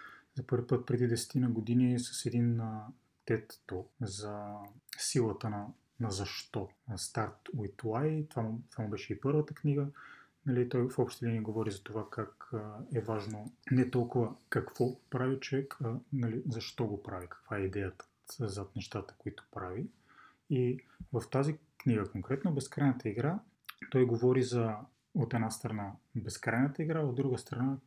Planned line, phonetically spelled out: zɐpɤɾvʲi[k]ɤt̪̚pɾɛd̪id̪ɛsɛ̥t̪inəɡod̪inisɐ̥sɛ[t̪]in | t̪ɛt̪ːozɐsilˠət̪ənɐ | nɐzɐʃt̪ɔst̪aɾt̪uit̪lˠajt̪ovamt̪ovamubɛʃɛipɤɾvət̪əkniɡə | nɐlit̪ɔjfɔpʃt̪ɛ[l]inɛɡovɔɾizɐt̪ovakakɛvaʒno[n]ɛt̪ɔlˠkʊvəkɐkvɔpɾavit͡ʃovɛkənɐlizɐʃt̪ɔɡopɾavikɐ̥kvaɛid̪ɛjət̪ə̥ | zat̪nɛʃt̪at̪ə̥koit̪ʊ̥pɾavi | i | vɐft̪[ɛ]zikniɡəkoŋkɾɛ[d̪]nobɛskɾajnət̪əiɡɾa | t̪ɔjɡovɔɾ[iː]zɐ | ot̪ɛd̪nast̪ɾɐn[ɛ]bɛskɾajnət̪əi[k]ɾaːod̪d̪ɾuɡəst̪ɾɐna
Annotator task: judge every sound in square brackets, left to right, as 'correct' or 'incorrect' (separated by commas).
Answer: incorrect, incorrect, correct, correct, incorrect, incorrect, incorrect, incorrect, incorrect